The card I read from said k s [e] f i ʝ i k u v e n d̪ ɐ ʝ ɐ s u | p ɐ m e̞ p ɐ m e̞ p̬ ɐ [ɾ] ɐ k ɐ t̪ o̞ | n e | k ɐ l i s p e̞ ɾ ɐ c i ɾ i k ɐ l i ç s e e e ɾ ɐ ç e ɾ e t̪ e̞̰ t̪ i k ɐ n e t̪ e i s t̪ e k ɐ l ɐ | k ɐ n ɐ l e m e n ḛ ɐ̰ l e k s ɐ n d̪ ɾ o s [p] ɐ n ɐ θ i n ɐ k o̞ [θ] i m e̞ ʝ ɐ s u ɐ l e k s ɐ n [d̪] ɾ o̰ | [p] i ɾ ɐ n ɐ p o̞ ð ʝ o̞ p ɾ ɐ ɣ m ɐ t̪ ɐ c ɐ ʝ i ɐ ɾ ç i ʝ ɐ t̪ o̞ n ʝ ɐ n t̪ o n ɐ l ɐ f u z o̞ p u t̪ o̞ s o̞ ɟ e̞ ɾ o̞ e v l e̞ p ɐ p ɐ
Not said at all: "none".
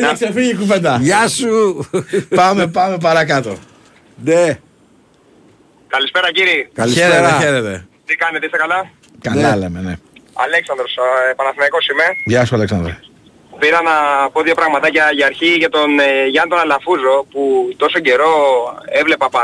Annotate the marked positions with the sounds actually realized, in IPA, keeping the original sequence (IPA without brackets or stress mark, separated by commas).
e, ɾ, p, s, d̪, p